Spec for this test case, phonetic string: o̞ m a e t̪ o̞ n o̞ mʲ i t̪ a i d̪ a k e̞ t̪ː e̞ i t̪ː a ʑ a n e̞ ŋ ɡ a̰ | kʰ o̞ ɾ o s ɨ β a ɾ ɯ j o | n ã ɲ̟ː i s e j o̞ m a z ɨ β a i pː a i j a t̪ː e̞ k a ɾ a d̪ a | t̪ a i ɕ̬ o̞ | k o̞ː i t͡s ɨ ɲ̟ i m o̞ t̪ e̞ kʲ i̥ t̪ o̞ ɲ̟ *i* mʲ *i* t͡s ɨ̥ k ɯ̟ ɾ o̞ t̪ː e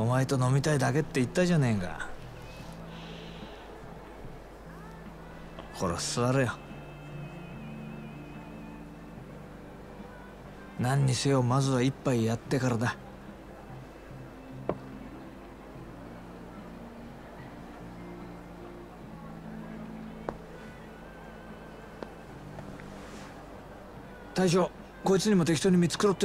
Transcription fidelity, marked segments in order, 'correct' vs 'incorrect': correct, correct

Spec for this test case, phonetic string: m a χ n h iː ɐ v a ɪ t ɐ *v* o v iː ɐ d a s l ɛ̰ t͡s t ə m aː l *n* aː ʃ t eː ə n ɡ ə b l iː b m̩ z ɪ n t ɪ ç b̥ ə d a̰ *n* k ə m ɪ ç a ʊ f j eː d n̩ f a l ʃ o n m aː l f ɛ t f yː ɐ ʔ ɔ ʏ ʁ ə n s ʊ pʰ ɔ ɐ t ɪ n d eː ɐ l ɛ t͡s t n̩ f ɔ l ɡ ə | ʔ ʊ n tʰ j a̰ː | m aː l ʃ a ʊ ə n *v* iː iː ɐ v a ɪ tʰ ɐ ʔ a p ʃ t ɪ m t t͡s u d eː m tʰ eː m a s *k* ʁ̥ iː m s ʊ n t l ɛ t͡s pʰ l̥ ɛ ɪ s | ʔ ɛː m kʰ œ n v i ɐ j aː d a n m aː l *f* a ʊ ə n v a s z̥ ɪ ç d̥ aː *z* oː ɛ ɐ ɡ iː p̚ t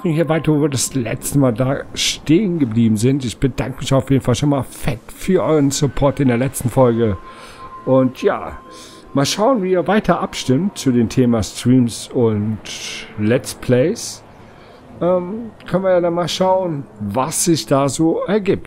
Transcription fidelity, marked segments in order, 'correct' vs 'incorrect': correct, incorrect, incorrect, correct, incorrect, incorrect, correct

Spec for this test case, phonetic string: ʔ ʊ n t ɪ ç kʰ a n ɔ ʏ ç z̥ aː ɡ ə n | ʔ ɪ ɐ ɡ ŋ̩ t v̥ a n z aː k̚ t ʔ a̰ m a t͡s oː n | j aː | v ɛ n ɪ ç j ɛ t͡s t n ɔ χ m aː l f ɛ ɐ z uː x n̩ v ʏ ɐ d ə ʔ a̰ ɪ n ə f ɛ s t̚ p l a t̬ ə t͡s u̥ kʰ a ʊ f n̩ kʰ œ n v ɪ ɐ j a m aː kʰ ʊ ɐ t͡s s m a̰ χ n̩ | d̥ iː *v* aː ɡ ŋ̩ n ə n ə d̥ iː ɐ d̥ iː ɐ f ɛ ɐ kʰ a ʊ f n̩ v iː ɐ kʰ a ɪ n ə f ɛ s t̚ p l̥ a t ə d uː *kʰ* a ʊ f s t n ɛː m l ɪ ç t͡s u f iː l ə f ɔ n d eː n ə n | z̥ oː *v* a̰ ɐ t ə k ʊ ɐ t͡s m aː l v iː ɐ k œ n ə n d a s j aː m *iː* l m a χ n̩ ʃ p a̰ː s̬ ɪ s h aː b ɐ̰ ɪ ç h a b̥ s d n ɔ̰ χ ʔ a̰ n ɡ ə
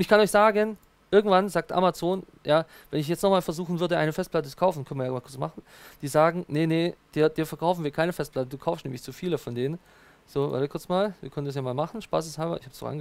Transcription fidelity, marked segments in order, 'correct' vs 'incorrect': incorrect, correct, correct, incorrect

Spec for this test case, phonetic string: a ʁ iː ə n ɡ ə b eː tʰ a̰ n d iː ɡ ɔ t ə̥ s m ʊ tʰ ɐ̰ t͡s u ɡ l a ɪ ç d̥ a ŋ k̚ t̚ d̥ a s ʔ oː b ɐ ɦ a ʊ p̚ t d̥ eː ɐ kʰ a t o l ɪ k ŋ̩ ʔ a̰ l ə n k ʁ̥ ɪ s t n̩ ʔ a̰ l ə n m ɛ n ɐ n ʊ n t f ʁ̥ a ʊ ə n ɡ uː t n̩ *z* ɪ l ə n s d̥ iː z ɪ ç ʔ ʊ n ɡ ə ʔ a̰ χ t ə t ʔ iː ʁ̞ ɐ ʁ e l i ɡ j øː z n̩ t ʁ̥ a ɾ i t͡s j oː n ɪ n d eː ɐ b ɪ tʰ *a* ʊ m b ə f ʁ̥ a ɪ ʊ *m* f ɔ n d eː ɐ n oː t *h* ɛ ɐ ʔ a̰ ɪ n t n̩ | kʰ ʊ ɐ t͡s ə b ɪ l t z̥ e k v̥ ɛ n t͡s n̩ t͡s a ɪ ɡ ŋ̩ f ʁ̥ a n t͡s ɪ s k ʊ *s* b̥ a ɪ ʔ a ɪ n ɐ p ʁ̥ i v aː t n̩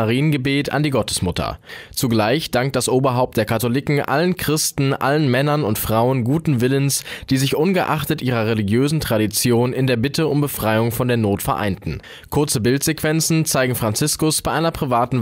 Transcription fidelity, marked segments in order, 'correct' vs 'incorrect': incorrect, incorrect, incorrect, incorrect, correct

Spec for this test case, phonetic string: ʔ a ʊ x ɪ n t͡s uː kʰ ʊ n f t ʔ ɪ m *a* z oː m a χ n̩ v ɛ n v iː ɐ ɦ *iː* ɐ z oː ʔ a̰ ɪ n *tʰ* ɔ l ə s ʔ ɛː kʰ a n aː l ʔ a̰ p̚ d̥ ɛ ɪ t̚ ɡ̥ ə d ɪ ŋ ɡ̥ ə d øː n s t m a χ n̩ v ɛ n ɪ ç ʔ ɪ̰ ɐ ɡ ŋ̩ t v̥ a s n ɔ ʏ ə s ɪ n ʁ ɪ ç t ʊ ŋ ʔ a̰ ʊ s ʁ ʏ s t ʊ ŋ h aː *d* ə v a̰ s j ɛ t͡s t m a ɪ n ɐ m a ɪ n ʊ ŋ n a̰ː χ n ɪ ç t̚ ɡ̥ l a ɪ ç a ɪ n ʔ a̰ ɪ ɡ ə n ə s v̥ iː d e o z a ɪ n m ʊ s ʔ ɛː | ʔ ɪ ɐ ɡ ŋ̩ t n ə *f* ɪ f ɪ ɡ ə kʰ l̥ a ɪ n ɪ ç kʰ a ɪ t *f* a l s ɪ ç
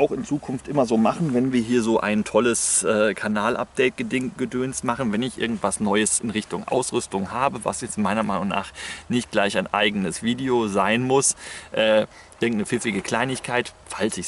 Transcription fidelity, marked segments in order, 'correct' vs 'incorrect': incorrect, correct, correct, incorrect, correct, correct

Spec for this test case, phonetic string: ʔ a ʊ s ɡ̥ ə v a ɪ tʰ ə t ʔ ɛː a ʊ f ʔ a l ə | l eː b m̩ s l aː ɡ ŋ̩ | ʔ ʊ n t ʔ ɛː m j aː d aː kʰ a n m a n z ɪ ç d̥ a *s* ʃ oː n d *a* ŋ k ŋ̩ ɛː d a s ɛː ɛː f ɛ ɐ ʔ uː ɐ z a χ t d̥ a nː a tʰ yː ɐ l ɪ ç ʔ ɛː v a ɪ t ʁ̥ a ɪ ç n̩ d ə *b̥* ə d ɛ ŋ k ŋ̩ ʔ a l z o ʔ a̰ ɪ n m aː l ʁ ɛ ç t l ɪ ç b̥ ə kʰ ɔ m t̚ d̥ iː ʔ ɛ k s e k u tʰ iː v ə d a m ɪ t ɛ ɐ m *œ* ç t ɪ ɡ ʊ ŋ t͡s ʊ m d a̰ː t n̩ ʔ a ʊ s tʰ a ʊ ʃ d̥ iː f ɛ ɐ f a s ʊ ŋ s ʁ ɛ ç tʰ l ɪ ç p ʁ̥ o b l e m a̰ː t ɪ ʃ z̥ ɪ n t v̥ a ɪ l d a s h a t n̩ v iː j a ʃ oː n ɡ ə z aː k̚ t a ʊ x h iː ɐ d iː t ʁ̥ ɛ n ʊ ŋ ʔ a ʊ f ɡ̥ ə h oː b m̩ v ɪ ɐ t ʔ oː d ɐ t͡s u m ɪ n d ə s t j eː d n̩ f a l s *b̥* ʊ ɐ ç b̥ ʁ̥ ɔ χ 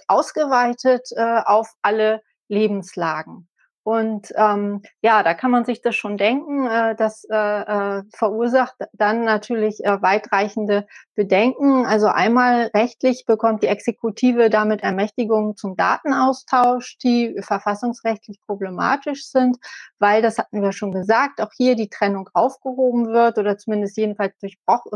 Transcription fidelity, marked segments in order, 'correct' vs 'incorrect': correct, incorrect, correct, incorrect, incorrect

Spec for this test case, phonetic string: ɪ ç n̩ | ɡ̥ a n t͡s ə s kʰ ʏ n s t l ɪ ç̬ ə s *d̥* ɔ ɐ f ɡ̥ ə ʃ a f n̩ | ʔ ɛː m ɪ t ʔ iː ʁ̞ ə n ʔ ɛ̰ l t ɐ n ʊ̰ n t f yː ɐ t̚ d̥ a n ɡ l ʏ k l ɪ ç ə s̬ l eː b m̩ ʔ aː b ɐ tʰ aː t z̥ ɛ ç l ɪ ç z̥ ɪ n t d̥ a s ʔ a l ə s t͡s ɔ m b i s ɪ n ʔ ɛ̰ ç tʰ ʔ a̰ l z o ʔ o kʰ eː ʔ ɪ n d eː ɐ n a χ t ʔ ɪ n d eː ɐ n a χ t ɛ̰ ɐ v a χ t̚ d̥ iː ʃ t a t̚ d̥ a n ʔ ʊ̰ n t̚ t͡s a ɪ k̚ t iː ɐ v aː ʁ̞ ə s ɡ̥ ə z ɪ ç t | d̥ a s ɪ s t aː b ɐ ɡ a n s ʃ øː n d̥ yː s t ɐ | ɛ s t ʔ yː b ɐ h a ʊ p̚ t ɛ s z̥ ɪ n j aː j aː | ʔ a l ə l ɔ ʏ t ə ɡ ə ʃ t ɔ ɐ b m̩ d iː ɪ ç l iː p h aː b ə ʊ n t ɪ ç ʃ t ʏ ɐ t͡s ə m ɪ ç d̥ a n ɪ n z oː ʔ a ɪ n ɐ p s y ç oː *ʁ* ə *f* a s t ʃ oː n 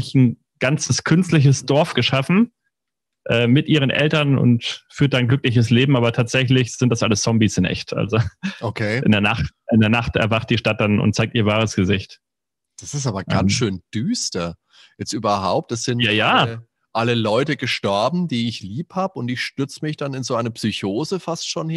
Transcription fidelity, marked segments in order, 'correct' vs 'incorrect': correct, incorrect, correct

